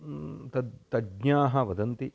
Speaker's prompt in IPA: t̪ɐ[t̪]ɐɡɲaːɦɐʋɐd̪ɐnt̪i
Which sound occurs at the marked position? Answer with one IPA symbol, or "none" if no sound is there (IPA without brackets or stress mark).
t̪